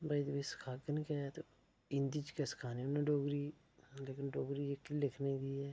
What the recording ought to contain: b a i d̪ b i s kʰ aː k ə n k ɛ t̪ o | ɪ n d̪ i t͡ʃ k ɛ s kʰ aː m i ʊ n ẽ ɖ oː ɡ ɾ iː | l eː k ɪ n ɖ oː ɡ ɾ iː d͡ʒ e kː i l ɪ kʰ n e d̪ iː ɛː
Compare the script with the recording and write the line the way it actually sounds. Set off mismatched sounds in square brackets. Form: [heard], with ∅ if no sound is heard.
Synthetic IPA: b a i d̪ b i s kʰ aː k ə n k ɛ t̪ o | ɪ n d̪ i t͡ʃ k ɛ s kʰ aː [n] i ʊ n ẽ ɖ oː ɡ ɾ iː | l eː k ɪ n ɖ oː ɡ ɾ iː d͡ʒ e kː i l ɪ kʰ n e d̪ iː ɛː